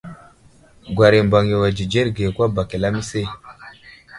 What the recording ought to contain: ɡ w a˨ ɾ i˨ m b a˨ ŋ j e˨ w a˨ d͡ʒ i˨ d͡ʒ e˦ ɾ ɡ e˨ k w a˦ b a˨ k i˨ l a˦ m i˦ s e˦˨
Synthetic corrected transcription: ɡ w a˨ ɾ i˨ m b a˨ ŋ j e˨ w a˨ d͡ʒ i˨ d͡ʒ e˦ ɾ ɡ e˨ k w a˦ b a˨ k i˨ l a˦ m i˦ s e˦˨